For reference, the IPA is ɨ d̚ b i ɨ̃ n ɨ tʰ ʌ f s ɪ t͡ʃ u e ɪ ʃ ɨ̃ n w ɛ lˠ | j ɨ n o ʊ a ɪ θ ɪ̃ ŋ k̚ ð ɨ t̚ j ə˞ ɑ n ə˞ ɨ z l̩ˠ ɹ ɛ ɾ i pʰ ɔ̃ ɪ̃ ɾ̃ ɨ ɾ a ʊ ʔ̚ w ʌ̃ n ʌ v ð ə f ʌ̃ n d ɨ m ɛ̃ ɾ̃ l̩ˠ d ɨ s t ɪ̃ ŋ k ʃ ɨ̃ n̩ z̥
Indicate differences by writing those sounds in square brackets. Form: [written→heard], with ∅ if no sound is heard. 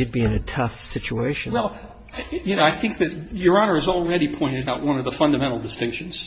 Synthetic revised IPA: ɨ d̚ b i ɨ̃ n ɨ tʰ ʌ f s ɪ t͡ʃ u e ɪ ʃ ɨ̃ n w ɛ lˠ | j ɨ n o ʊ a ɪ θ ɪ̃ ŋ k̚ ð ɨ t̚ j ə˞ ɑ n ə˞ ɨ z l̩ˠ ɹ ɛ ɾ i pʰ ɔ̃ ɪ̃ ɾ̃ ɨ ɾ a ʊ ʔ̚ w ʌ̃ n ʌ v ð ə f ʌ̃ n d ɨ m ɛ̃ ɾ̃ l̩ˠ d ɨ s t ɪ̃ ŋ k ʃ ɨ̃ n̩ z̥